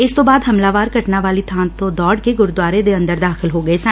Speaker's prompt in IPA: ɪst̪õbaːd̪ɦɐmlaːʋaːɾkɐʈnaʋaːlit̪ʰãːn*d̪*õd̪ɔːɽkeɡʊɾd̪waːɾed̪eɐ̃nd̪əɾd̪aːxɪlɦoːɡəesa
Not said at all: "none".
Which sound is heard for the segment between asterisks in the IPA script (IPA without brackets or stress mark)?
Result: t̪